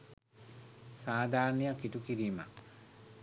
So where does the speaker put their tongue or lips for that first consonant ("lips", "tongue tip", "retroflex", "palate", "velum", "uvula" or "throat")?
tongue tip